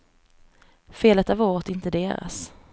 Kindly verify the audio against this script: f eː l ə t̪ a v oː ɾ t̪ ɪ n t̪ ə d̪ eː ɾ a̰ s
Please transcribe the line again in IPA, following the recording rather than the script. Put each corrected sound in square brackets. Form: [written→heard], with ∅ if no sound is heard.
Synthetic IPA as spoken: f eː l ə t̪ a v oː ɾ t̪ ɪ n t̪ ə d̪ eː ɾ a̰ s